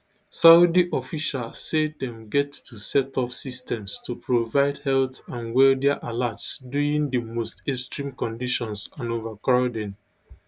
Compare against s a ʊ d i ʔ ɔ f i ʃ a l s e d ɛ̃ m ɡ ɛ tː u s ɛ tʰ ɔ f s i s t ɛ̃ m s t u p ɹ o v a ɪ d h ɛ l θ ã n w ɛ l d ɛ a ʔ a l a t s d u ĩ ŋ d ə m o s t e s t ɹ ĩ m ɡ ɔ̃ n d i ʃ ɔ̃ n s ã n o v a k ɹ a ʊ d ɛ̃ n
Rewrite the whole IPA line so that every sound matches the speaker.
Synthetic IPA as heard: s a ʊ d i ʔ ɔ f i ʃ a l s e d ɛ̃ m ɡ ɛ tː u s ɛ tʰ ɔ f s i s t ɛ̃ m s t u p ɹ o v a ɪ d h ɛ l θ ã n w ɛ l d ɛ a ʔ a l a t s d u ĩ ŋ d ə m o s t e s t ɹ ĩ m k ɔ̃ n d i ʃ ɔ̃ n s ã n o v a k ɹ a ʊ d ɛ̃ n